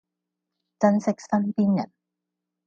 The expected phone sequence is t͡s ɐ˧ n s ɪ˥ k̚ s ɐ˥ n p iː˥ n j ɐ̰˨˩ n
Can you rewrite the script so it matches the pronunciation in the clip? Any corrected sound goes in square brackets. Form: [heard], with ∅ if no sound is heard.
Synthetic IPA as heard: t͡s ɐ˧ n s ɪ˥ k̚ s ɐ˥ n p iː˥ n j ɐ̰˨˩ n